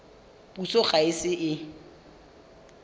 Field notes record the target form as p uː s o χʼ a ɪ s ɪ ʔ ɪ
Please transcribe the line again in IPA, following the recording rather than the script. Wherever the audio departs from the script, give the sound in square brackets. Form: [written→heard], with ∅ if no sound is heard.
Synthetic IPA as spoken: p [uː→u] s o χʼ a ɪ s ɪ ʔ ɪ